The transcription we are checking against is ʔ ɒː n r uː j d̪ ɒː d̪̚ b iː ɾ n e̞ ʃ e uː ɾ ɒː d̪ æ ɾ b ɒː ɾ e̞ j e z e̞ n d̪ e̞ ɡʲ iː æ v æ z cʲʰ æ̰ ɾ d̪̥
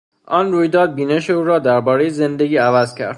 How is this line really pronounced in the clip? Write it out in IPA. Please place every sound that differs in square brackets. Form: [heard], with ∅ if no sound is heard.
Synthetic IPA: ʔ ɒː n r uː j d̪ ɒː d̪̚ b iː [∅] n e̞ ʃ e uː ɾ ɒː d̪ æ ɾ b ɒː ɾ e̞ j e z e̞ n d̪ e̞ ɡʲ iː æ v æ z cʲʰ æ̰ ɾ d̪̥